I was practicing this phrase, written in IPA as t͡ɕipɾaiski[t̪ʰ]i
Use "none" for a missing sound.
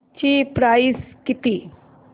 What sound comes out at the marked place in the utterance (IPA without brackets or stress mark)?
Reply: t̪